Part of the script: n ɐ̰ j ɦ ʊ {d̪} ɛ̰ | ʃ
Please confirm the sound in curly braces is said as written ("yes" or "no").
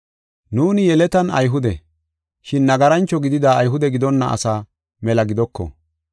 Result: yes